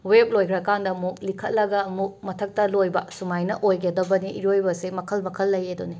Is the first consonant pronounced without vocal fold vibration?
no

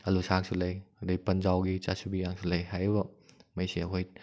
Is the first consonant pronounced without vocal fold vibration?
no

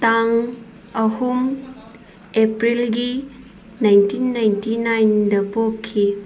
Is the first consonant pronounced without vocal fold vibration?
yes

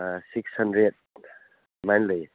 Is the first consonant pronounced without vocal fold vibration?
yes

